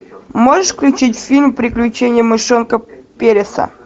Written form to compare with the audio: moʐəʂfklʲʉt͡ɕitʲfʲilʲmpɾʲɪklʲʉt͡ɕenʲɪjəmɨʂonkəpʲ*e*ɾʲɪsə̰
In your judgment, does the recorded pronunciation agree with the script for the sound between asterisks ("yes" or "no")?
yes